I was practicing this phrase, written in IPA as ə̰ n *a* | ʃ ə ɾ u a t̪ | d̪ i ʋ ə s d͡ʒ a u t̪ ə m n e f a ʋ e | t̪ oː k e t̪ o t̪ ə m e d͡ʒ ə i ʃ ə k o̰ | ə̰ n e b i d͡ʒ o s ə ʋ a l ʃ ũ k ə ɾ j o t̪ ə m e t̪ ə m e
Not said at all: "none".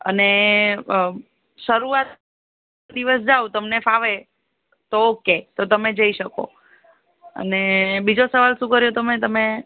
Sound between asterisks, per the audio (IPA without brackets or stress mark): e